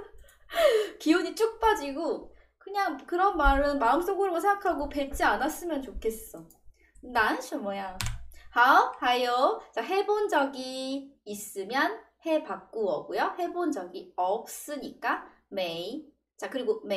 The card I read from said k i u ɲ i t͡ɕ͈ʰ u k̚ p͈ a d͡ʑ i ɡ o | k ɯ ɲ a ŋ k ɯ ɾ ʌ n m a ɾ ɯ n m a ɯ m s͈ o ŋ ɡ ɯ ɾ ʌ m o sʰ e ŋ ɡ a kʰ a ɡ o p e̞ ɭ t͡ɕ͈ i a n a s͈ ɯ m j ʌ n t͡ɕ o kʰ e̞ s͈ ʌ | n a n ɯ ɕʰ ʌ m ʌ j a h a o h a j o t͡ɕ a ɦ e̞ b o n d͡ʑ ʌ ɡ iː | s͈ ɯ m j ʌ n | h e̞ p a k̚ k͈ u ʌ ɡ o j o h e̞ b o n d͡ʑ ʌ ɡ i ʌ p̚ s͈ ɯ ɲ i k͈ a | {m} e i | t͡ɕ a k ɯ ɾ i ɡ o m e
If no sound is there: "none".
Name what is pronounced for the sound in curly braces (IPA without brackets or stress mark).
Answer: m